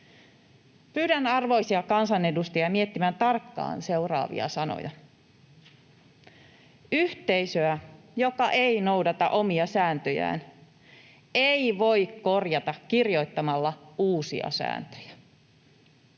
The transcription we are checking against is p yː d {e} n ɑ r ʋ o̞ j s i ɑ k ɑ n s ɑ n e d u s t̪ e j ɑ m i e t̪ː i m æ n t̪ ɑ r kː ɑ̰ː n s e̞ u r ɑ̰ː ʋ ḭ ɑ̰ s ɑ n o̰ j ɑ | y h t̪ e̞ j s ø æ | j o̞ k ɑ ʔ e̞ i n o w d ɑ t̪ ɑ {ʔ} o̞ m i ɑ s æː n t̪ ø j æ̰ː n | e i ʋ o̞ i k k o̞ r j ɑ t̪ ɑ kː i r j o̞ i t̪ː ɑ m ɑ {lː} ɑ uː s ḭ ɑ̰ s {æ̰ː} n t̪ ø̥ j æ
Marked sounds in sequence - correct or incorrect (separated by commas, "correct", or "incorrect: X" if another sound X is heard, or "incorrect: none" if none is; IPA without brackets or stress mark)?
incorrect: æ, correct, correct, correct